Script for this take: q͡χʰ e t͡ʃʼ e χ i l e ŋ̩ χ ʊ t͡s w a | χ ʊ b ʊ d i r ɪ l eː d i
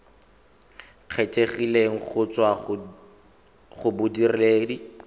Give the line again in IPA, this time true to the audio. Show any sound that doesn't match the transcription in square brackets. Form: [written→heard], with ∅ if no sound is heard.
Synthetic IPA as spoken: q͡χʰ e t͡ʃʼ e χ i l e ŋ̩ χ ʊ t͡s w a | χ ʊ b ʊ d i r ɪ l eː d i

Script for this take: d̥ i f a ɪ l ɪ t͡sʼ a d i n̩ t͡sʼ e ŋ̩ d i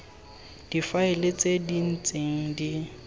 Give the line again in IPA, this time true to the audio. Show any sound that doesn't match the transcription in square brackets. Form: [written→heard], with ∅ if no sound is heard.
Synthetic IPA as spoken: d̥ i f a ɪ l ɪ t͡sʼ [a→e] d i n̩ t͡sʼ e ŋ̩ d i

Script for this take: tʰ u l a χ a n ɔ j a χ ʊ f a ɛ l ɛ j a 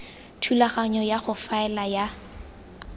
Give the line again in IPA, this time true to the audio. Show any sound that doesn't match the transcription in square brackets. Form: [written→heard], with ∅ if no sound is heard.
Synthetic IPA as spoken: tʰ u l a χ a [n→ɲ] ɔ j a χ ʊ f a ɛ l [ɛ→a] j a

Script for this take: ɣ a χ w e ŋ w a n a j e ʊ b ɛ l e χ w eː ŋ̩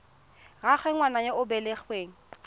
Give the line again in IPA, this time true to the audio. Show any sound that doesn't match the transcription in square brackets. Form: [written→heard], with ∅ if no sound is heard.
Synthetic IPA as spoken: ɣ a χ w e ŋ w a n a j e ʊ b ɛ l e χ w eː ŋ̩

